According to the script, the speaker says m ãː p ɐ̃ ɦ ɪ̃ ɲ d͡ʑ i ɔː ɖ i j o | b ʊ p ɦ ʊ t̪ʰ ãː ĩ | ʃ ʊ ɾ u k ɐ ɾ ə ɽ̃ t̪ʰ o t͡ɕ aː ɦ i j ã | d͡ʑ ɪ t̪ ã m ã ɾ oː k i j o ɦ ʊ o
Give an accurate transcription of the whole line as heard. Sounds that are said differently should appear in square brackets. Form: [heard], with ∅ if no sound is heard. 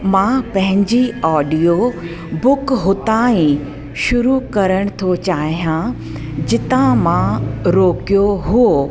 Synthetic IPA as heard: m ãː p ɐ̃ ɦ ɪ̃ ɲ d͡ʑ i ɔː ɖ i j o | b ʊ [k] ɦ ʊ [t̪] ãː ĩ | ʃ ʊ ɾ u k ɐ ɾ ə ɽ̃ t̪ʰ o t͡ɕ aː ɦ i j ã | d͡ʑ ɪ t̪ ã m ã ɾ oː k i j o ɦ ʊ o